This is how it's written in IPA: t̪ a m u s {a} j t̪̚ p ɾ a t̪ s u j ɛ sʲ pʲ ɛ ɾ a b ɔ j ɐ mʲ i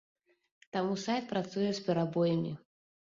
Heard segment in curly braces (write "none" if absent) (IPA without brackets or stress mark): a